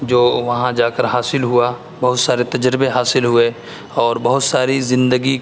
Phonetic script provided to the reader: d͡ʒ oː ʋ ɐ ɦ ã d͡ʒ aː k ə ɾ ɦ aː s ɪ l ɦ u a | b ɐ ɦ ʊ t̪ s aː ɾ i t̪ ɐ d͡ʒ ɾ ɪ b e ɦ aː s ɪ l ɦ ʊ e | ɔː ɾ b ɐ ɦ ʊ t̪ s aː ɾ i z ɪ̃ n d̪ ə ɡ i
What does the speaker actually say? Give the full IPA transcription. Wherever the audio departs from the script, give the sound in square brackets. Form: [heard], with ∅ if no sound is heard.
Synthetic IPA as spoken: d͡ʒ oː ʋ ɐ ɦ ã d͡ʒ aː k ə ɾ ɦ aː s ɪ l ɦ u a | b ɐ ɦ ʊ t̪ s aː ɾ [e] t̪ ɐ d͡ʒ ɾ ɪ b e ɦ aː s ɪ l ɦ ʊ e | ɔː ɾ b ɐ ɦ ʊ t̪ s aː ɾ i z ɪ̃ n d̪ ə ɡ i